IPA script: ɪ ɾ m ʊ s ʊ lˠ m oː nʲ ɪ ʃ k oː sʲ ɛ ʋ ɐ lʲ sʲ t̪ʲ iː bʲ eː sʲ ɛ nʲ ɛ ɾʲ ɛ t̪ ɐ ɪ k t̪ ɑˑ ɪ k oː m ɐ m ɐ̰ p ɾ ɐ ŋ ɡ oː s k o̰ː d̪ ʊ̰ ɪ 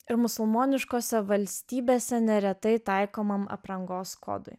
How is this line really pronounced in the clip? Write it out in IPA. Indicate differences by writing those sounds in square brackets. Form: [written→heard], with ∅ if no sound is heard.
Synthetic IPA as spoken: ɪ ɾ m ʊ s ʊ lˠ m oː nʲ ɪ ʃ k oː sʲ ɛ ʋ ɐ lʲ sʲ t̪ʲ iː bʲ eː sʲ ɛ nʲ ɛ ɾʲ ɛ t̪ ɐ ɪ [k→∅] t̪ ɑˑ ɪ k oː m ɐ m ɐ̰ p ɾ ɐ ŋ ɡ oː s k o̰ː d̪ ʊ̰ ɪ